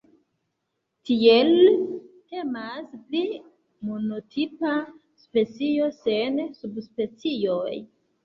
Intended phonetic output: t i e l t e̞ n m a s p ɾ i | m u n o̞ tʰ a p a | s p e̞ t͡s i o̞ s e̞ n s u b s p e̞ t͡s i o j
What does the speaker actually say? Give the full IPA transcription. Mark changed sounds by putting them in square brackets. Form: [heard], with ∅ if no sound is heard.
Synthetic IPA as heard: t i e l t e̞ [∅] m a s p [l] i | m [o] n o̞ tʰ [i] p a | s p e̞ t͡s i o̞ s e̞ n s u b s p e̞ t͡s i o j

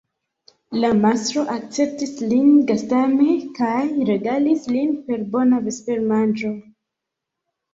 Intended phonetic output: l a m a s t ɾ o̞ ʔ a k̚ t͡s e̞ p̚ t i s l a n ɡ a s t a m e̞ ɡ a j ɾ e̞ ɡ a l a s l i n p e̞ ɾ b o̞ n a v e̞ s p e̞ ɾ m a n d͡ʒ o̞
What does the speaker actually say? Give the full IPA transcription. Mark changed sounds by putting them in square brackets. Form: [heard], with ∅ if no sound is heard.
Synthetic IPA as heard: l a m a s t ɾ o̞ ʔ a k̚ t͡s e̞ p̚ t i s l [i] n ɡ a s t a m e̞ [k] a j ɾ e̞ ɡ a l [i] s l i n p e̞ ɾ b o̞ n a v e̞ s p e̞ ɾ m a n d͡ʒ o̞

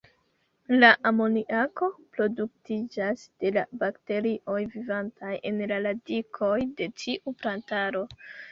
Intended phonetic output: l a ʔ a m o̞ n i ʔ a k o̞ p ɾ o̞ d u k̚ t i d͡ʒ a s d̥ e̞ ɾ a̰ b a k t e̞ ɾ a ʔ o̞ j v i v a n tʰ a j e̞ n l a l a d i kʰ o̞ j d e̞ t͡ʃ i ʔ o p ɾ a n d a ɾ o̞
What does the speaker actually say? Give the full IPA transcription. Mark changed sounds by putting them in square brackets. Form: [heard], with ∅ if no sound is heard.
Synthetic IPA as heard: l a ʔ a m o̞ n i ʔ a k o̞ p ɾ o̞ d u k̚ t i d͡ʒ a s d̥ e̞ [l] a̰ b a k t e̞ ɾ [i] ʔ o̞ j v i v a n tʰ a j e̞ n l a l a d i kʰ o̞ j d e̞ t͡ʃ i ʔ [u] p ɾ a n [t] a ɾ o̞

